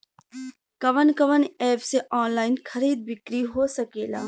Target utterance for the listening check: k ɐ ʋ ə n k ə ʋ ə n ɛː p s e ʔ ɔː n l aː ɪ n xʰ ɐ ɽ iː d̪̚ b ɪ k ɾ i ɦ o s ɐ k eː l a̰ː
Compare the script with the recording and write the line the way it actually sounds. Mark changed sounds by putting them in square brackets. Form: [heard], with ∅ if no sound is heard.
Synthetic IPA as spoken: k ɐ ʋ ə n k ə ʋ ə n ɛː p s e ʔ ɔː n l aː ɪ n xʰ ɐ [ɾ] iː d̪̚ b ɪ k ɾ i ɦ o s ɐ k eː l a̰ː